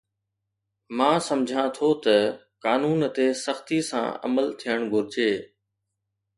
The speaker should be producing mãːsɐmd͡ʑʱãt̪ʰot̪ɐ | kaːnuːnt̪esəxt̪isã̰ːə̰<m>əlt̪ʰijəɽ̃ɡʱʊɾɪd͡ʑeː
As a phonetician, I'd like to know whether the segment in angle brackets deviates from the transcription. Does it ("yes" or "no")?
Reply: no